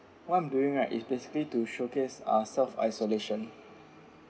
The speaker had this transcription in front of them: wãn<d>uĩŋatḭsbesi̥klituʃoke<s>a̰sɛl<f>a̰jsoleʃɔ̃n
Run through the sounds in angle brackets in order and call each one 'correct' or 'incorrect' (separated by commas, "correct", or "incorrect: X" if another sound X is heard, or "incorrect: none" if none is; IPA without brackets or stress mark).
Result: correct, correct, correct